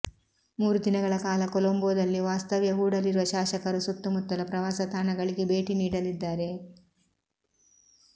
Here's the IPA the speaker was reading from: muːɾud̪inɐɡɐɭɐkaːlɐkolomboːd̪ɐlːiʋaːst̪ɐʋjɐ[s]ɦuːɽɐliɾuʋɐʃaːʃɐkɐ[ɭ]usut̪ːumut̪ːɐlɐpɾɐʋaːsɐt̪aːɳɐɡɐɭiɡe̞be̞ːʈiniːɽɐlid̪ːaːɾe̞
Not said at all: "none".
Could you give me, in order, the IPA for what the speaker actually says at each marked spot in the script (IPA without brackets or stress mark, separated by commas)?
none, ɾ